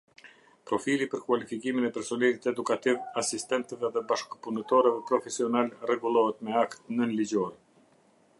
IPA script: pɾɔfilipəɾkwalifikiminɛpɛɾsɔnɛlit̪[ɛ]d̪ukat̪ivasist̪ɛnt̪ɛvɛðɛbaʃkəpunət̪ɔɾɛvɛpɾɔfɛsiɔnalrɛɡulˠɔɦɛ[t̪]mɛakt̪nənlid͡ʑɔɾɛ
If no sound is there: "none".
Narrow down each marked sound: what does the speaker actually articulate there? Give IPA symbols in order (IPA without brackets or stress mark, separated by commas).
ɛ, t̪